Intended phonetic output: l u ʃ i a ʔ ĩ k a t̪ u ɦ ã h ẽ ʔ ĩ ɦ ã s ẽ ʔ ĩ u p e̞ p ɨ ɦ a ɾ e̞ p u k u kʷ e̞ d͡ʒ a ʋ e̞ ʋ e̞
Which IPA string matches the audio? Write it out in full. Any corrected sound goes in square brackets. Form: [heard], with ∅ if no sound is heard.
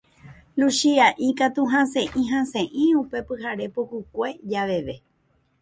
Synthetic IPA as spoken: l u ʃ i a ʔ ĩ k a t̪ u ɦ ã [s] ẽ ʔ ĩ ɦ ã s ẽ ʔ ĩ u p e̞ p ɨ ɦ a ɾ e̞ p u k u kʷ e̞ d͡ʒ a ʋ e̞ ʋ e̞